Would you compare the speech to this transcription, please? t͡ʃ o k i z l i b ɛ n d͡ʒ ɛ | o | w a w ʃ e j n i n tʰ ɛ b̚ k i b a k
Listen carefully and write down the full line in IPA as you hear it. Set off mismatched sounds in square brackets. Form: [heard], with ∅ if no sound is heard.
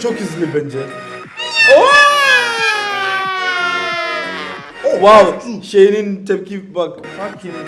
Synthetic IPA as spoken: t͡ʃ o k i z l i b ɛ n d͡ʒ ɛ | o | w a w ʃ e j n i n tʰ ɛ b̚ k i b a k